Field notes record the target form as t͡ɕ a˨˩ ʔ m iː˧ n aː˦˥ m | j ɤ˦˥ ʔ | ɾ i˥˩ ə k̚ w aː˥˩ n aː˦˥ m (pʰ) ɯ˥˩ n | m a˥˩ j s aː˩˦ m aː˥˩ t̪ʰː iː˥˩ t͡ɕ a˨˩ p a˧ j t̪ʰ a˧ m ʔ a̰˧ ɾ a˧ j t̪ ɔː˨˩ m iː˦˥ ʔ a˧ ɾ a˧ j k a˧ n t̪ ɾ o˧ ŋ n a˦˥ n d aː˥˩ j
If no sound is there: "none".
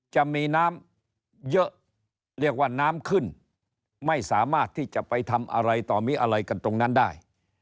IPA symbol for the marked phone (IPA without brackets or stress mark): kʰ